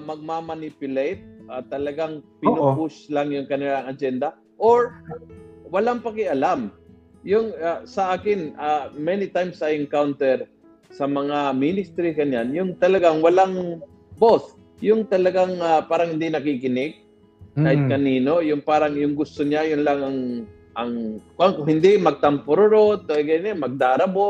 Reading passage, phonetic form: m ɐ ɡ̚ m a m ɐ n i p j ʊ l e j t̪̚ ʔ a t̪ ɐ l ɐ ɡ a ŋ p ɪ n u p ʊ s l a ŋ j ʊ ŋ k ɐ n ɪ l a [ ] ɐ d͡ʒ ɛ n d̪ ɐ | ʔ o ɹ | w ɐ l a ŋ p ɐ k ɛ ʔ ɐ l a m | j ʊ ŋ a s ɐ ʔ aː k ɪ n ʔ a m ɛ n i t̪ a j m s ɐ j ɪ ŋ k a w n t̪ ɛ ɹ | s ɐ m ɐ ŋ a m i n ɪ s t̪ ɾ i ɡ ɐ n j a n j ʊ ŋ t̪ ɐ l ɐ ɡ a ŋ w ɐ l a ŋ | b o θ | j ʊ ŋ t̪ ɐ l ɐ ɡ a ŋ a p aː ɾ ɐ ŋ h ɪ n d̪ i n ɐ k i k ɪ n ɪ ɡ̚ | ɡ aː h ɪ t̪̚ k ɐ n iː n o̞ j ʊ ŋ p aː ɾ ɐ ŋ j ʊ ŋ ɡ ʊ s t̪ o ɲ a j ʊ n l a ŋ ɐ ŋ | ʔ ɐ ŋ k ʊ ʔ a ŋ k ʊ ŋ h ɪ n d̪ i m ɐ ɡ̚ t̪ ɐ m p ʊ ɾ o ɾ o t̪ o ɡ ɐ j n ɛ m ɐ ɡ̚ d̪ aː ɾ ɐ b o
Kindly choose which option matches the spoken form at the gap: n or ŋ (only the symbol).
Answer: ŋ